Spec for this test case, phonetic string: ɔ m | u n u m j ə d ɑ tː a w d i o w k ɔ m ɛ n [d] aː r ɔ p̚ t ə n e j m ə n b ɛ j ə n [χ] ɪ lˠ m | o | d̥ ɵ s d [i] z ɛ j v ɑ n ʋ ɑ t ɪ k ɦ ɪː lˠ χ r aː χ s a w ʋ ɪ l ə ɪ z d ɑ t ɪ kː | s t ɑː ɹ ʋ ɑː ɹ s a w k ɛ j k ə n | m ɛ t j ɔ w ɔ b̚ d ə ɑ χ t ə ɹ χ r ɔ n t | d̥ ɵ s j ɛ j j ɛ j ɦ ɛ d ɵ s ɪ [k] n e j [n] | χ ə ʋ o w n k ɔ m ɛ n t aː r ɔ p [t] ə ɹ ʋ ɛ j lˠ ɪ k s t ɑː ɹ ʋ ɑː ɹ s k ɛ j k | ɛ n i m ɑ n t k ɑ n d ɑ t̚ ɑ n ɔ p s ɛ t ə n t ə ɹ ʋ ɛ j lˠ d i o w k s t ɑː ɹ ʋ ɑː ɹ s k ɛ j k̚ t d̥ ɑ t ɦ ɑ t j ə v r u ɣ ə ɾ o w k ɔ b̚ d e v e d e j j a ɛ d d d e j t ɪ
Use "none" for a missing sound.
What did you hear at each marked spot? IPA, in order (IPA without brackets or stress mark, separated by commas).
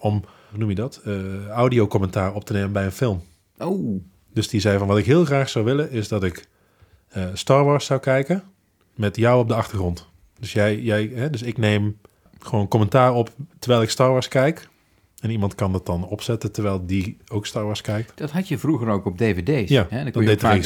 t, f, i, k, m, t